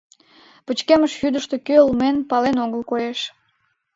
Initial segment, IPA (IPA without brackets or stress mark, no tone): p